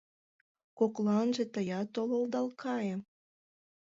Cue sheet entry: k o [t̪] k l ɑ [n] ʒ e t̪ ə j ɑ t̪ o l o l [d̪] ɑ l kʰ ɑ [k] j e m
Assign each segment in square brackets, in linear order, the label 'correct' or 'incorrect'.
incorrect: none, correct, correct, incorrect: none

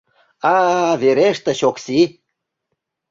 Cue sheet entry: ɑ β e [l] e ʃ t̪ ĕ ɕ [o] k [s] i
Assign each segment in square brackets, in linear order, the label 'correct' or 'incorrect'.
incorrect: ɾ, correct, correct

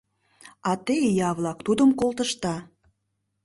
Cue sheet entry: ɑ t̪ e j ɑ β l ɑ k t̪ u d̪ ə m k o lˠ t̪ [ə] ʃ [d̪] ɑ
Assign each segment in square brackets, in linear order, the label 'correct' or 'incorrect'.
correct, incorrect: t̪

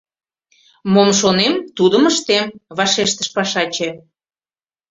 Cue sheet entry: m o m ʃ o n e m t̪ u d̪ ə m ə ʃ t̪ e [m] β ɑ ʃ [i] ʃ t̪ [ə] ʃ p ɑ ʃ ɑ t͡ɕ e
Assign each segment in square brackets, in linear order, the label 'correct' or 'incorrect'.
correct, incorrect: e, correct

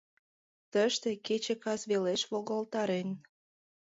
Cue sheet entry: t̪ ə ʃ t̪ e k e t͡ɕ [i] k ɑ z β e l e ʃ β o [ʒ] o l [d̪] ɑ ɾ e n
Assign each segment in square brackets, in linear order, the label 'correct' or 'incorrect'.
incorrect: e, incorrect: ɣ, incorrect: t̪

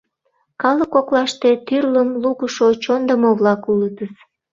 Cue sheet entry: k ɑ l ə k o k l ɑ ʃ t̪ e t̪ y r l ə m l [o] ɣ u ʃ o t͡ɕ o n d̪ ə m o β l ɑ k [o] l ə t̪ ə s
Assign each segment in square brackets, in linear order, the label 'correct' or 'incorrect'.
incorrect: u, incorrect: u

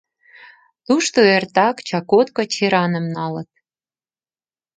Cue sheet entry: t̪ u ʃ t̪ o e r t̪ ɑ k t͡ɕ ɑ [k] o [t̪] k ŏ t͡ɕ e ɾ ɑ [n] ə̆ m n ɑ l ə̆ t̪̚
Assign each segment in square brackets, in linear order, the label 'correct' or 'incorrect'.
correct, correct, correct

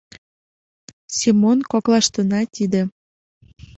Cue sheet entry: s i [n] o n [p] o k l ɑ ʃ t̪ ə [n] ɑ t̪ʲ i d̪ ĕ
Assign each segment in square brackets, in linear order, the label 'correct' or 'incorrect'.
incorrect: m, incorrect: k, correct

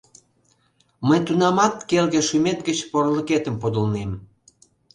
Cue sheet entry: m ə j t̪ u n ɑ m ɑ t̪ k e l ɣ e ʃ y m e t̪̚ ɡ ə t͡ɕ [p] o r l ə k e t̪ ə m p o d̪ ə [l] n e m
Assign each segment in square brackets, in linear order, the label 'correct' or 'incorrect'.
correct, correct

